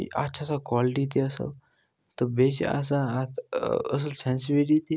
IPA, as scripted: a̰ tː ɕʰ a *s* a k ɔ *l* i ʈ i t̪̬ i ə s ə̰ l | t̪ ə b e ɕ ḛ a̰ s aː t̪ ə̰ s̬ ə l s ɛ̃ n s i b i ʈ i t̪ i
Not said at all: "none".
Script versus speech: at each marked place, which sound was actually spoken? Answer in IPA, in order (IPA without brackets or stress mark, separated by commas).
s, l